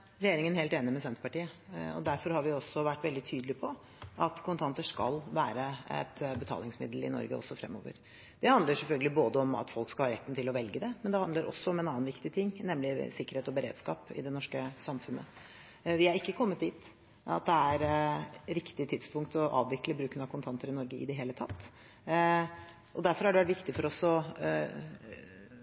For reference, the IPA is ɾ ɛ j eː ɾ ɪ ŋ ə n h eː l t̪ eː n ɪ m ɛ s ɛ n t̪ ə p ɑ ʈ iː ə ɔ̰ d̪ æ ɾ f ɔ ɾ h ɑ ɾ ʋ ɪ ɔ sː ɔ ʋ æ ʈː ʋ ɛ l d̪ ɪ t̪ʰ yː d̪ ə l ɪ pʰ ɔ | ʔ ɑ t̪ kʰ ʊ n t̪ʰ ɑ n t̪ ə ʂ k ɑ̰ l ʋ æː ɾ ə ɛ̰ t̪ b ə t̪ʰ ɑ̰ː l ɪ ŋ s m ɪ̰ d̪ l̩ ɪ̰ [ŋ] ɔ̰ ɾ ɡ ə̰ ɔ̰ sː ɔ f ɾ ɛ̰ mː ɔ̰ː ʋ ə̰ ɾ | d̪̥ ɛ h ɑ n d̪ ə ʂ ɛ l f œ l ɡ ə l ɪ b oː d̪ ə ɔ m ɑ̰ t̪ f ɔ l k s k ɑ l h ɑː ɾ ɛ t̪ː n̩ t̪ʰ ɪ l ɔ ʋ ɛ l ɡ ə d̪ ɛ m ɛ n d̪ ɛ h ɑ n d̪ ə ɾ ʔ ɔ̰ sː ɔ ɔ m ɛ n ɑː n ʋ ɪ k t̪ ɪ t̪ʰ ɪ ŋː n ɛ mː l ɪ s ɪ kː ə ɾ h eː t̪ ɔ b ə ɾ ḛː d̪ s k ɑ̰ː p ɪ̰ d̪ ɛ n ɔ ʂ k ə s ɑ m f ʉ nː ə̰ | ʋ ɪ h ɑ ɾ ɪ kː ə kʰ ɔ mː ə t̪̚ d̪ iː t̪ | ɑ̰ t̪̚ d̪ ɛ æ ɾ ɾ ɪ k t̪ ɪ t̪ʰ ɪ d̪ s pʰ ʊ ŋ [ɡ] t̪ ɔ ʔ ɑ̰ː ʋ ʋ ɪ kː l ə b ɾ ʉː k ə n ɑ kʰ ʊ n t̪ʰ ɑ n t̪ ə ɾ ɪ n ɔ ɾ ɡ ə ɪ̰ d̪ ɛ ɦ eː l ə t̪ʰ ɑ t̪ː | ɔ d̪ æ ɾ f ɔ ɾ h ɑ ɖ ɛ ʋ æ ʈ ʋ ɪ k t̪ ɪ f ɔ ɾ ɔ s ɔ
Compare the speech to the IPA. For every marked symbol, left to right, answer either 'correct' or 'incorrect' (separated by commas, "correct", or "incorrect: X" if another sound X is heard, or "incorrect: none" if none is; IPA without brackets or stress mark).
incorrect: n, incorrect: k